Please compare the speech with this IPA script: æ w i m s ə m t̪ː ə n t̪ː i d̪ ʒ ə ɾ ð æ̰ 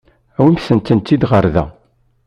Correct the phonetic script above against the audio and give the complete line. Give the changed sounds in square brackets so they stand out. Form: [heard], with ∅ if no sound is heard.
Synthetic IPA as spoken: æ w i m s ə [n] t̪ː ə n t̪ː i d̪ [ʁ] ə ɾ ð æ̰